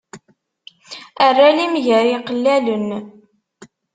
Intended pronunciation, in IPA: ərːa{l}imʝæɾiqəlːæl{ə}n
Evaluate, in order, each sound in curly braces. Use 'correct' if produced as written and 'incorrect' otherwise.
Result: correct, correct

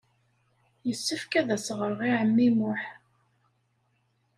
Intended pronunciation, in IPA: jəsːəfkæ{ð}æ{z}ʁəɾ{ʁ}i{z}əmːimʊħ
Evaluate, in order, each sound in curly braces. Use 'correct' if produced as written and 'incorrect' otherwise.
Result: correct, incorrect, correct, incorrect

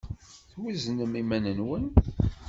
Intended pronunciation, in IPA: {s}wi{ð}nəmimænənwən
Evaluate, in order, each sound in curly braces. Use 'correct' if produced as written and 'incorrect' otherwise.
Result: incorrect, incorrect

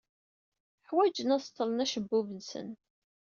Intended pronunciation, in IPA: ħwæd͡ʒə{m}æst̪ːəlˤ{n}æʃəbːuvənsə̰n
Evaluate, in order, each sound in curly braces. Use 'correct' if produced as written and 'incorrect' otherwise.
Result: incorrect, correct

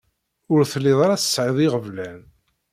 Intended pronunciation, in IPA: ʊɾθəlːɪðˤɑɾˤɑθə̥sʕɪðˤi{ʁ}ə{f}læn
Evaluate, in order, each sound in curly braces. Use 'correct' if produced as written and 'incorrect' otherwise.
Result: correct, incorrect

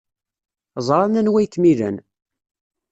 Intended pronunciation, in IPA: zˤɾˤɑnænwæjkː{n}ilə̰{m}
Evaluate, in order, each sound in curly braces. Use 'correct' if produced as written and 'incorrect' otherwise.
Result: incorrect, incorrect

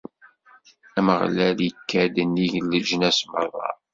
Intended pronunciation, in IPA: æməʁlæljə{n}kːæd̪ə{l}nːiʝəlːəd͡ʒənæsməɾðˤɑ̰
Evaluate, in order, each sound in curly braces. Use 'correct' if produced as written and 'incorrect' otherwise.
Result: incorrect, incorrect

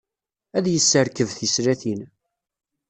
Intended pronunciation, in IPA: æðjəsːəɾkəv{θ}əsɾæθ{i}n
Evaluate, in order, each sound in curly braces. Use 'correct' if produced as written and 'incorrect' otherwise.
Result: correct, correct

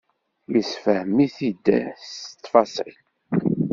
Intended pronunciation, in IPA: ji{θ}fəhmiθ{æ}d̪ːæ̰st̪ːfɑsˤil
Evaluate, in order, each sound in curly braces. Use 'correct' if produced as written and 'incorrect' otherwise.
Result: incorrect, incorrect

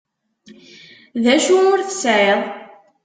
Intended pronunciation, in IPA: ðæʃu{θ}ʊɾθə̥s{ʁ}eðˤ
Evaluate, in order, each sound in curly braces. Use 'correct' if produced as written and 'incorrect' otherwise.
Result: incorrect, incorrect

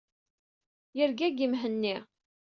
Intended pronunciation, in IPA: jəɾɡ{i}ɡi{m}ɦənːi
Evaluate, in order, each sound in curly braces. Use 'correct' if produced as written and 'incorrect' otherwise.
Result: incorrect, correct

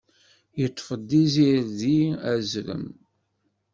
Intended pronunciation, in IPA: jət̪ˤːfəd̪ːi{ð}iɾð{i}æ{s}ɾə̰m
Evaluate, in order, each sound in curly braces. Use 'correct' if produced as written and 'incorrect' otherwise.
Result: incorrect, correct, incorrect

